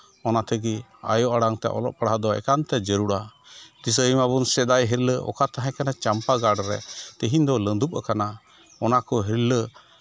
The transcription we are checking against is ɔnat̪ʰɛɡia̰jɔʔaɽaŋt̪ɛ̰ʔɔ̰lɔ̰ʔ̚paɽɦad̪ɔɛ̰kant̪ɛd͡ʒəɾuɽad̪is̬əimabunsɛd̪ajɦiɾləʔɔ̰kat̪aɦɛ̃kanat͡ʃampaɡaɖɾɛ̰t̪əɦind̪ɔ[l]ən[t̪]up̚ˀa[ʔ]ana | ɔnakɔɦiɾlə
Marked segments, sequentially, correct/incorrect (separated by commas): correct, incorrect, incorrect